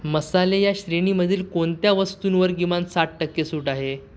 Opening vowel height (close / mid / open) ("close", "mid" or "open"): mid